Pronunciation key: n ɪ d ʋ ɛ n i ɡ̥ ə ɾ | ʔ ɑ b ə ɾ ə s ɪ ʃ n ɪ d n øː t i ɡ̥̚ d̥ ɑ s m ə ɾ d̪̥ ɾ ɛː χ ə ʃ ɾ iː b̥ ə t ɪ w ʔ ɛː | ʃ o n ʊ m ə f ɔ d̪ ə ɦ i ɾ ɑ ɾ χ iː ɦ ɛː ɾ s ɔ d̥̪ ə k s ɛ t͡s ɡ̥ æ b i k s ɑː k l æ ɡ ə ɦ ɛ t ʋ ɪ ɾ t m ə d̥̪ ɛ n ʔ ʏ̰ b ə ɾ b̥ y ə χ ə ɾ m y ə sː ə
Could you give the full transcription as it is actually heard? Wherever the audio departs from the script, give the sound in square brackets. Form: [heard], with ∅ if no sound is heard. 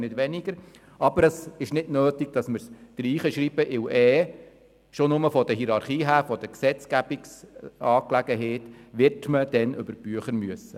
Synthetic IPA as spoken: n ɪ d ʋ ɛ n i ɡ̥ ə ɾ | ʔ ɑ b ə ɾ ə s ɪ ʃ n ɪ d n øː t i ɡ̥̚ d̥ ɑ s m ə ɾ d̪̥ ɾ [iː] χ ə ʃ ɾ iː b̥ ə [ʔ] ɪ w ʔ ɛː | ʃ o n ʊ m ə f ɔ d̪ ə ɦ i ɾ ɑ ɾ χ iː ɦ [æː] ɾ [f] ɔ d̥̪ ə k s ɛ t͡s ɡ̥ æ b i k s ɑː k l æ ɡ ə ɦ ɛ t ʋ ɪ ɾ t m ə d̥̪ ɛ n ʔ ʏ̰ b ə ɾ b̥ y ə χ ə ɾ m y ə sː ə